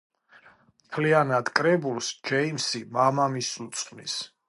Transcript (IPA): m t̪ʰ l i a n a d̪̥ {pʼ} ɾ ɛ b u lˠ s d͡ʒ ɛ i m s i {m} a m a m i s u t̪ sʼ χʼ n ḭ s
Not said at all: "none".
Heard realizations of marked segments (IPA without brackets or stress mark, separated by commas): kʼ, m